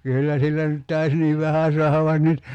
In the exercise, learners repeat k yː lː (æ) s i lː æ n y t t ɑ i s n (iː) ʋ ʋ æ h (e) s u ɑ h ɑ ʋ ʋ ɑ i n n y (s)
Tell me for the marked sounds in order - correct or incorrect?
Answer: correct, correct, incorrect: æ, incorrect: t

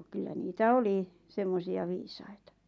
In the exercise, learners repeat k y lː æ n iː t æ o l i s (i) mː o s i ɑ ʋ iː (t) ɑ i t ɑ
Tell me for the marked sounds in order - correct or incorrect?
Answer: incorrect: e, incorrect: s

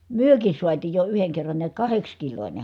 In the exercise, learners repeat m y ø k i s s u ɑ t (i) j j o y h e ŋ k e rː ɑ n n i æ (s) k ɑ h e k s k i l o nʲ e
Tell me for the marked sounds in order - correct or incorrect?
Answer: incorrect: iː, incorrect: t

